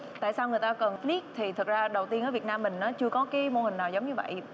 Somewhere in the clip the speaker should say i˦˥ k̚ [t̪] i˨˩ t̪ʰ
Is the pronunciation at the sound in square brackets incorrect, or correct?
incorrect